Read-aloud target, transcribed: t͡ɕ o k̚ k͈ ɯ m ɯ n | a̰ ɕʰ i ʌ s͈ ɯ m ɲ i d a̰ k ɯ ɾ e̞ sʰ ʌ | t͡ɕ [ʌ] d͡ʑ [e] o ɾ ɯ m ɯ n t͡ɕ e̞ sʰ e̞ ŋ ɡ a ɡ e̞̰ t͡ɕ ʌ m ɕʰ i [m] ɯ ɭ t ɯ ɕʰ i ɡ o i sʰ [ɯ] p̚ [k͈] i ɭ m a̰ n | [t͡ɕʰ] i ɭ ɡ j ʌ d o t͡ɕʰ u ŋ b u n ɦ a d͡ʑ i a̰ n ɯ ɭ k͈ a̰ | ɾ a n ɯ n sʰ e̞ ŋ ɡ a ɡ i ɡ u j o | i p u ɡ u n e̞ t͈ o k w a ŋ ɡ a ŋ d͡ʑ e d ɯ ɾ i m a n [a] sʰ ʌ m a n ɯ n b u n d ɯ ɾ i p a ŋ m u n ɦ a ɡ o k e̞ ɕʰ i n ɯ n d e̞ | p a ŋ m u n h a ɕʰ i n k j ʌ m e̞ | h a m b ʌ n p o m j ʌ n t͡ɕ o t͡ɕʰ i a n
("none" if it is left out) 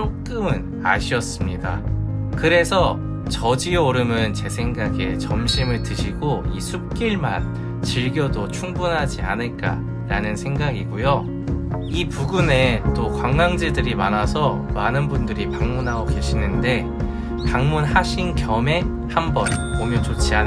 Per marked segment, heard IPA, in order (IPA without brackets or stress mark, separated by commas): ʌ, i, m, u, k͈, t͡ɕ, a